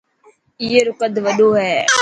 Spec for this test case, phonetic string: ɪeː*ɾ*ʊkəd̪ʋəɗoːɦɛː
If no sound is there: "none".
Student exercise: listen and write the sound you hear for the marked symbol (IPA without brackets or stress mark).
ɾ